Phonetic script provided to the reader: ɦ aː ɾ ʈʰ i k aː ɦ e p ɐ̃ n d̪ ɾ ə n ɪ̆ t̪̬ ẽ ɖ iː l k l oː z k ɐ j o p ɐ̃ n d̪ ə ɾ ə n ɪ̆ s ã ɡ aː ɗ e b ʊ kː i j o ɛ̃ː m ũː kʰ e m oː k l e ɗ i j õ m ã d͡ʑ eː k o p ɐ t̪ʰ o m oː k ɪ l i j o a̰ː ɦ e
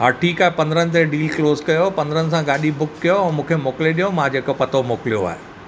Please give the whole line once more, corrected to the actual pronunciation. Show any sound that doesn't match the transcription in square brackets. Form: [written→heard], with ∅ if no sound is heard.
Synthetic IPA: ɦ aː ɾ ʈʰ [i→iː] k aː ɦ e p ɐ̃ n d̪ ɾ ə n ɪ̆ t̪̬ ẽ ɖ iː l k l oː z k ɐ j o p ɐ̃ n d̪ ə ɾ ə n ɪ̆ s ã ɡ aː ɗ [e→i] b ʊ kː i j o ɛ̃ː m ũː kʰ e m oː k l e ɗ i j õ m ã d͡ʑ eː k o p ɐ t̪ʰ o m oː k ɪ l i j o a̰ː ɦ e

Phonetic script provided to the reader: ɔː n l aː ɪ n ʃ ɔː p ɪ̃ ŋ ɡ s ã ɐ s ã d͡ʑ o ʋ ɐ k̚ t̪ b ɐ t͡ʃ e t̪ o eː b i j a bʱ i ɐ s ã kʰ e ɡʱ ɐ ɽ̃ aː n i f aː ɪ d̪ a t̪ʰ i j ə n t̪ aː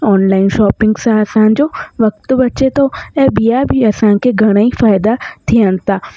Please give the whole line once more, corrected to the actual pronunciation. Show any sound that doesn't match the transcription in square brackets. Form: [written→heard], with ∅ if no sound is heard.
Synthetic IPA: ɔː n l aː ɪ n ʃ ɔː p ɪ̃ ŋ ɡ s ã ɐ s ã d͡ʑ o ʋ ɐ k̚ t̪ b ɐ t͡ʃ e t̪ o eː b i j a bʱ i ɐ s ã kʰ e ɡʱ ɐ ɽ̃ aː [n→∅] i f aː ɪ d̪ a t̪ʰ i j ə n t̪ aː

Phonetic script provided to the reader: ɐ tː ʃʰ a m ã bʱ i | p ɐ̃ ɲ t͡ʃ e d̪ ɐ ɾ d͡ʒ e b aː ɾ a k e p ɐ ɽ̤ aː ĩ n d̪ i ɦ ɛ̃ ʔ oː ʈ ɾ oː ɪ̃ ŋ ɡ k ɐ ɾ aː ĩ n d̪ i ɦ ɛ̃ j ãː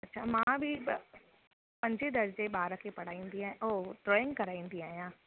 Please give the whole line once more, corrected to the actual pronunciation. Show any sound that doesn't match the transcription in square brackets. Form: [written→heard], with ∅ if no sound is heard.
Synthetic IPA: ɐ tː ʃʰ a m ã bʱ i | p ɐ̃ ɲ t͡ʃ e d̪ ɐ ɾ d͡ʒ e b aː ɾ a k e p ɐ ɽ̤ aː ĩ n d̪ i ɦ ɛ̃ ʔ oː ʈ ɾ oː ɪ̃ ŋ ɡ k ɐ ɾ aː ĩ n d̪ i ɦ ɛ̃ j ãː

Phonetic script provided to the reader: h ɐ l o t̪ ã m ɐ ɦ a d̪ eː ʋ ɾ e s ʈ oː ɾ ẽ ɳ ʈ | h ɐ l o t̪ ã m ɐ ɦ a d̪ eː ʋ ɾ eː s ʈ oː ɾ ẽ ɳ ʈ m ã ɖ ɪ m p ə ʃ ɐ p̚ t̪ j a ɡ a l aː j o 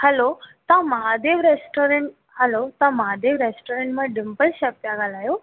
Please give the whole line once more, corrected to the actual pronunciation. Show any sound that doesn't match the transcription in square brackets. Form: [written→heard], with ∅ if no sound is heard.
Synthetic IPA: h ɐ l o t̪ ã m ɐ ɦ a d̪ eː ʋ ɾ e s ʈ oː ɾ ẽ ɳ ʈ | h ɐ l o t̪ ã m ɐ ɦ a d̪ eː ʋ ɾ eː s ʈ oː ɾ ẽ ɳ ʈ m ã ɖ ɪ m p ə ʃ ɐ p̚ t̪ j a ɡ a l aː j o

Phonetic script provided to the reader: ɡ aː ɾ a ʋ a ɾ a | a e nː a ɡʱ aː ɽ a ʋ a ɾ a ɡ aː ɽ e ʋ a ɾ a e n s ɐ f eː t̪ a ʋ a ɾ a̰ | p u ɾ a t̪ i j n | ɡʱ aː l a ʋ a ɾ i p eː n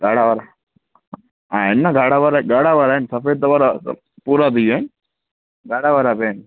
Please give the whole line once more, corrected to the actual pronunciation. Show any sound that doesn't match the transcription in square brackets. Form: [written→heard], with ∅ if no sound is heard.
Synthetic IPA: ɡ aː [ɾ→ɽ] a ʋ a ɾ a | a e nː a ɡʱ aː ɽ a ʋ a ɾ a ɡ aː ɽ [e→a] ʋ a ɾ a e n s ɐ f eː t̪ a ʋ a ɾ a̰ | p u ɾ a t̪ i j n | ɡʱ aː [l→ɽ] a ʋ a ɾ [i→a] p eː n

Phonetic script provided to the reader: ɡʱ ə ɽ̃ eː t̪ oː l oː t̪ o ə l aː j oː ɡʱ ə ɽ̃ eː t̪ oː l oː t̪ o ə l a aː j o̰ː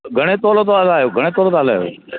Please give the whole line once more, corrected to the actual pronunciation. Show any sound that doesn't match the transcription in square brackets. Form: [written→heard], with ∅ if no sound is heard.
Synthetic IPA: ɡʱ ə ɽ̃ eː t̪ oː l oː t̪ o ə l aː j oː ɡʱ ə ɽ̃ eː t̪ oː l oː t̪ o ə l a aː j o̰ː

